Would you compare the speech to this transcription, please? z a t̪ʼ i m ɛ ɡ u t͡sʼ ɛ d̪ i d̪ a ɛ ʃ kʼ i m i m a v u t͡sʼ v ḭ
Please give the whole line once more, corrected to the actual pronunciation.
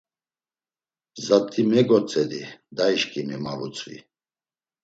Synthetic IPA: z a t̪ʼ i m ɛ ɡ ɔ t͡sʼ ɛ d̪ i d̪ a i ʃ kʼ i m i m a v u t͡sʼ v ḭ